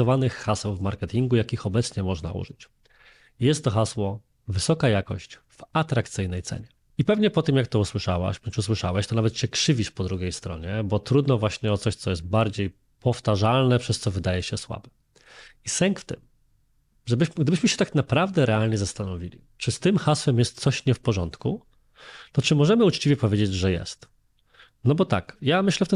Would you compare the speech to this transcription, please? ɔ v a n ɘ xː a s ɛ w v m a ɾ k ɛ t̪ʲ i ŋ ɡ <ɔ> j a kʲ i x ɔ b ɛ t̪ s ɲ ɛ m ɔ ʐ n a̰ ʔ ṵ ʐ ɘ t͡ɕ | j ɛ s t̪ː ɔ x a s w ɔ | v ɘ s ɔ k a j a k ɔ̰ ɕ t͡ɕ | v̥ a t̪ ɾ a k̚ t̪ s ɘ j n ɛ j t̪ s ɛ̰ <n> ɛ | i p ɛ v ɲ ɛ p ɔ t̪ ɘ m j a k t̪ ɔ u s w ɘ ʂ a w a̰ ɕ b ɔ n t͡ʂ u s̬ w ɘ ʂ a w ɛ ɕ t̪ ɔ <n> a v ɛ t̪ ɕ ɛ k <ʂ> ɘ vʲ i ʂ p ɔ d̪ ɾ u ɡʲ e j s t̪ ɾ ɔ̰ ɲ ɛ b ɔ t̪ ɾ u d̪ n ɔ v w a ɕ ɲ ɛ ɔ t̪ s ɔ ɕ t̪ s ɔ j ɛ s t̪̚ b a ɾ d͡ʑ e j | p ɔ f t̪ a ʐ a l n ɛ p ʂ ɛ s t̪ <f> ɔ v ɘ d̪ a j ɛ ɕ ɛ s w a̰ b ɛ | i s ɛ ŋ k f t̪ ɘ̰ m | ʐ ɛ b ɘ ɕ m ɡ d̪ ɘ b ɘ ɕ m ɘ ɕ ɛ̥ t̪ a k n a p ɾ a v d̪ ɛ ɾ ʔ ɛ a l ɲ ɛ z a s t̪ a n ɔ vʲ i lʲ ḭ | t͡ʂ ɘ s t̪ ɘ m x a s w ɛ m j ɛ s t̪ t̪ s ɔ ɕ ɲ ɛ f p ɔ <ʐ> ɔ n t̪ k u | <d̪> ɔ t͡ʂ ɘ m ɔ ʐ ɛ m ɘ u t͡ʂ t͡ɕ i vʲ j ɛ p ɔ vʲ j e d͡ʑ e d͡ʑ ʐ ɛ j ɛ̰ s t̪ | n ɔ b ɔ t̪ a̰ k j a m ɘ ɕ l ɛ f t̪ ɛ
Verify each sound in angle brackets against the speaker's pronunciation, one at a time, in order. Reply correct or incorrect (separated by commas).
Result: incorrect, incorrect, correct, correct, incorrect, correct, incorrect